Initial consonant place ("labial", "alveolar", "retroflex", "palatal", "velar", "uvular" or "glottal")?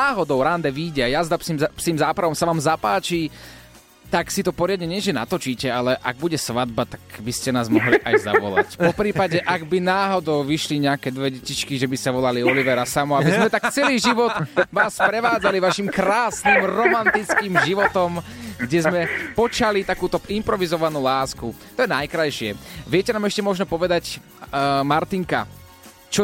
glottal